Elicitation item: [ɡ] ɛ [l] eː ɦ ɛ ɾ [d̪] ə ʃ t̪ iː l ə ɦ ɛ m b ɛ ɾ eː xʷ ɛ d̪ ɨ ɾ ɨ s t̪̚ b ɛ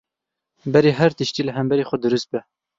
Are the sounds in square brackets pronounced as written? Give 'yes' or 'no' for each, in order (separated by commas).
no, no, no